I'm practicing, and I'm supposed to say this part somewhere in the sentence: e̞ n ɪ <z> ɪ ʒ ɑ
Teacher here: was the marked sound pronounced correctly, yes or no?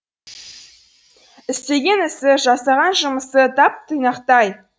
no